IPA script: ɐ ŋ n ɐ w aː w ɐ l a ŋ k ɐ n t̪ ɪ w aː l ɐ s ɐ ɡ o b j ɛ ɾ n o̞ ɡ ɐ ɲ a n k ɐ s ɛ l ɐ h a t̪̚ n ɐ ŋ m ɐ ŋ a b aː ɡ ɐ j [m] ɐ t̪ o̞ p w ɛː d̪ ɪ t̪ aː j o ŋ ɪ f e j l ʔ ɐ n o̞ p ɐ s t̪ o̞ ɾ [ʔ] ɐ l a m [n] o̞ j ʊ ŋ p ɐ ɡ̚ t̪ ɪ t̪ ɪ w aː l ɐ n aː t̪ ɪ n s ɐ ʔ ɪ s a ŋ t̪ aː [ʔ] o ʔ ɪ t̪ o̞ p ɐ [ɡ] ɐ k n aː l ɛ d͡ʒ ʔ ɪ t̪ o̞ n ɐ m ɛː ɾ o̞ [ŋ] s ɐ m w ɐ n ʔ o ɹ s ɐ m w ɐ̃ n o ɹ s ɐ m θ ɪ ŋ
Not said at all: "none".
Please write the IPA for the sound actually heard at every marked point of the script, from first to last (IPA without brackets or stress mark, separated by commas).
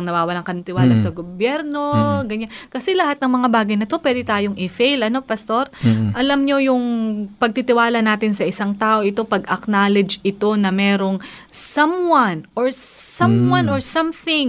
n, ʔ, ɲ, ʔ, ɡ, ŋ